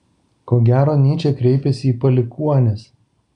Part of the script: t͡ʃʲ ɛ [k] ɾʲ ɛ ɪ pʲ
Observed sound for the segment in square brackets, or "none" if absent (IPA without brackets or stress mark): k